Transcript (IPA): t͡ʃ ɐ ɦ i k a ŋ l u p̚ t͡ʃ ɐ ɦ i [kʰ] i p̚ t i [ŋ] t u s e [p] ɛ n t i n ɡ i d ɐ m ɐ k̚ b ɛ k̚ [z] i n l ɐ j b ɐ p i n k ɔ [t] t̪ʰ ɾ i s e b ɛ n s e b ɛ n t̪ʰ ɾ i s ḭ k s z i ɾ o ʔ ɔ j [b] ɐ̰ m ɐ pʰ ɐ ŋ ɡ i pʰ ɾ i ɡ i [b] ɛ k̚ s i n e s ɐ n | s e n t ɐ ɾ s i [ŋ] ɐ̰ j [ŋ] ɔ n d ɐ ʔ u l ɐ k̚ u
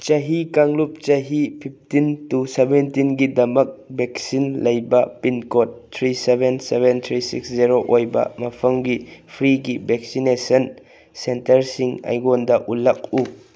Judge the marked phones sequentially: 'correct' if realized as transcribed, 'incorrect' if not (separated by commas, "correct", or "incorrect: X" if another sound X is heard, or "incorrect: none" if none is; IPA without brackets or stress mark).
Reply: incorrect: pʰ, incorrect: n, incorrect: b, incorrect: s, correct, correct, correct, correct, incorrect: ɡ